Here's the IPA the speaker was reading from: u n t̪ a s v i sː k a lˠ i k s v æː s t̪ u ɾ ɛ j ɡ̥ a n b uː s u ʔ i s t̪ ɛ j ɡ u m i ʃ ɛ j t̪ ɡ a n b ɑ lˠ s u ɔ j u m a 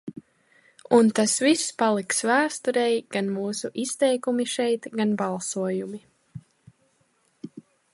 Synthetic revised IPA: u n t̪ a s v i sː p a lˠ i k s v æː s t̪ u ɾ ɛ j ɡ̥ a n m uː s u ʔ i s t̪ ɛ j k u m i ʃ ɛ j t̪ ɡ a n b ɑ lˠ s u ɔ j u m i

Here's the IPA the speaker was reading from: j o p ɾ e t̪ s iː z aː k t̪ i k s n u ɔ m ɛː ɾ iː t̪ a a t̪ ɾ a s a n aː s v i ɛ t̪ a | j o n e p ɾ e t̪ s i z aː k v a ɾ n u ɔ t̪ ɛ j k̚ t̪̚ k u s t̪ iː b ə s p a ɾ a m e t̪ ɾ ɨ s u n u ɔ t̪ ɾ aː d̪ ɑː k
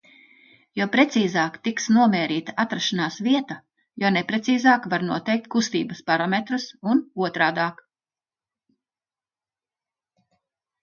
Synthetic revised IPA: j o p ɾ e t̪ s iː z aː k t̪ i k s n u ɔ m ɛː ɾ iː t̪ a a t̪ ɾ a ʃ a n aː s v i ɛ t̪ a | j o n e p ɾ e t̪ s iː z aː k v a ɾ n u ɔ t̪ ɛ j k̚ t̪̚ k u s t̪ iː b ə s p a ɾ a m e t̪ ɾ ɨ s u n u ɔ t̪ ɾ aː d̪ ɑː k

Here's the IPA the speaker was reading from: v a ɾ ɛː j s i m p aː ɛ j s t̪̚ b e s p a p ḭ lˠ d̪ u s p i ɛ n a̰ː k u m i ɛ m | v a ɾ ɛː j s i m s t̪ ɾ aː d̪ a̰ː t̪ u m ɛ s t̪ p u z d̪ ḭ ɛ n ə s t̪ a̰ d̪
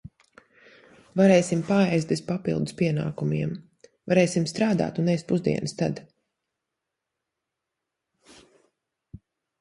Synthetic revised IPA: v a ɾ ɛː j s i m p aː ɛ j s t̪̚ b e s p a p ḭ lˠ d̪ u s p i ɛ n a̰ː k u m i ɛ m | v a ɾ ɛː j s i m s t̪ ɾ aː d̪ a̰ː t̪ u n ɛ s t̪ p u z d̪ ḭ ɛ n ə s t̪ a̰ d̪

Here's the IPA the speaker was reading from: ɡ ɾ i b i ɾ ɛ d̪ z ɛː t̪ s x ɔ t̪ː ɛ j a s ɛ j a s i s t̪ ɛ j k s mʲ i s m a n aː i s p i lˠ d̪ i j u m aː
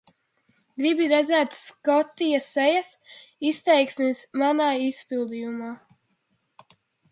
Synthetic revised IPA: ɡ ɾ i b i ɾ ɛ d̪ z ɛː t̪ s k ɔ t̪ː i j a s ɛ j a s i s t̪ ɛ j k s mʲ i s m a n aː i s p i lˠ d̪ i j u m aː

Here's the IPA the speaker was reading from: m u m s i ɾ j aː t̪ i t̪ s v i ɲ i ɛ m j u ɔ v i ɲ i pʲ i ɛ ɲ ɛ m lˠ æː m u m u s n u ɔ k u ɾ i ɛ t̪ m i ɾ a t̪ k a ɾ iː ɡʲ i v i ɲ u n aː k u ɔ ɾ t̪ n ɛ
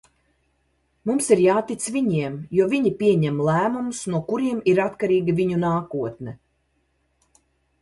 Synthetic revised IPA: m u m s i ɾ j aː t̪ i t̪ s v i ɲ i ɛ m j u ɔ v i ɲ i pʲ i ɛ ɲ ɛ m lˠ æː m u m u s n u ɔ k u ɾ i ɛ m i ɾ a t̪ k a ɾ iː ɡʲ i v i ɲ u n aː k u ɔ t̪ n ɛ

